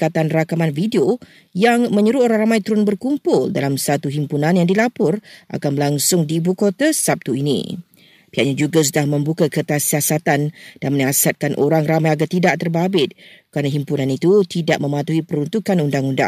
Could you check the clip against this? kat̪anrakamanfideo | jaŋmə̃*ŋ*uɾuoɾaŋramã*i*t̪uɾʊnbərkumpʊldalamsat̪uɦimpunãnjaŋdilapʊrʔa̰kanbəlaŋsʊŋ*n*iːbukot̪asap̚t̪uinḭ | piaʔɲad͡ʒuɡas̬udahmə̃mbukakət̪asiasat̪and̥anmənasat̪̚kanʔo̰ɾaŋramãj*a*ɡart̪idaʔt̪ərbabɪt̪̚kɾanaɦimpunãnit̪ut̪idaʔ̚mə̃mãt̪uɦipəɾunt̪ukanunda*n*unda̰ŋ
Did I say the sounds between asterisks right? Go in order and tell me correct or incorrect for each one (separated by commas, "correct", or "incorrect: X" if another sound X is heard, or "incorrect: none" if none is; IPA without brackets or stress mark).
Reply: incorrect: ɲ, incorrect: j, incorrect: d, correct, incorrect: ŋ